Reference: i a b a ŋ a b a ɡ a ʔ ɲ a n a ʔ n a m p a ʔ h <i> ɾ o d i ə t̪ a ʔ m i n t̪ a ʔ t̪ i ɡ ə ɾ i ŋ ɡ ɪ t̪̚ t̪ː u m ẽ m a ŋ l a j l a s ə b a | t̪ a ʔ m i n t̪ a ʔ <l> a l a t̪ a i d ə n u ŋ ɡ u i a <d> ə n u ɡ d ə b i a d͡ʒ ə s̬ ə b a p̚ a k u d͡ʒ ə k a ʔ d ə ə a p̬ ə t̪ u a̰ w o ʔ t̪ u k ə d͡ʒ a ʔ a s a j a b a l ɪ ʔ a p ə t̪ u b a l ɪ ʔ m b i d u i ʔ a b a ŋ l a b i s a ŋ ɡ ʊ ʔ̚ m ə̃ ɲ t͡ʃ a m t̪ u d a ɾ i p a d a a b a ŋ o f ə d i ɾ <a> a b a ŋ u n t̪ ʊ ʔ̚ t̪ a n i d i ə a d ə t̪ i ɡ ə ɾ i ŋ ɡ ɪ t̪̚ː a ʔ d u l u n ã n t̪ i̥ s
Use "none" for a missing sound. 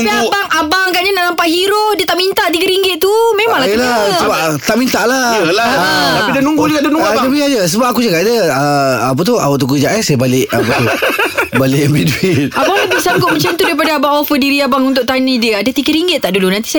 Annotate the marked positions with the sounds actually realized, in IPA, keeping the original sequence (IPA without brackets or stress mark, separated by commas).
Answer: i, l, d, i